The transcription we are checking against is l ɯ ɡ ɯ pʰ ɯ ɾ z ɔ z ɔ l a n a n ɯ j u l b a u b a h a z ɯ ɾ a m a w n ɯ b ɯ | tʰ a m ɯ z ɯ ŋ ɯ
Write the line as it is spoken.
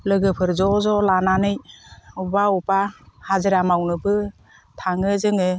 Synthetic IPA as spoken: l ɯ ɡ ɯ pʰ ɯ ɾ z ɔ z ɔ l a n a n ɯ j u b a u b a h a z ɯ ɾ a m a w n ɯ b ɯ | tʰ a ŋ ɯ z ɯ ŋ ɯ